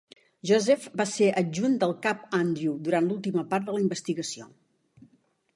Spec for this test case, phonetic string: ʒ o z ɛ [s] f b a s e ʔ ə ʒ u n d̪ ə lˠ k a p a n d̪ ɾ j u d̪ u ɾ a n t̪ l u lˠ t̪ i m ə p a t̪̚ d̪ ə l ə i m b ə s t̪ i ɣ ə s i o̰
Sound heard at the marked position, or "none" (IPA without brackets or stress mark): none